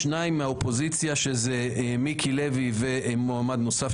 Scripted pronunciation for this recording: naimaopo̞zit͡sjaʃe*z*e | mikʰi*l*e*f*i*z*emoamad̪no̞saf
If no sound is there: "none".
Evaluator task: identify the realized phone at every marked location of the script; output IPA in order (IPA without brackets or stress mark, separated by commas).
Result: z, l, v, v